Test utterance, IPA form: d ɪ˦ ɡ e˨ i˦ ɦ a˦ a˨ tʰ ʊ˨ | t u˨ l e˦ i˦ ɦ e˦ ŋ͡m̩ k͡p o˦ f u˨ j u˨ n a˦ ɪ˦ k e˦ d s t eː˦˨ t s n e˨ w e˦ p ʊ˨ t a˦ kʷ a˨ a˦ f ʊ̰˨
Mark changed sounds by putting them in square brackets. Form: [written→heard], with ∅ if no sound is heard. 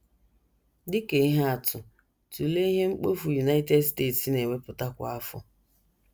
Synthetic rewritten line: d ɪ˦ [ɡ→k] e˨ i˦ ɦ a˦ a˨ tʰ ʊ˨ | t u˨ l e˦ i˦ ɦ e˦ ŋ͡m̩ k͡p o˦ f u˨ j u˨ n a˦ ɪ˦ [k→t] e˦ d s t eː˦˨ t s n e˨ w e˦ p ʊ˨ t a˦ kʷ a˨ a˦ f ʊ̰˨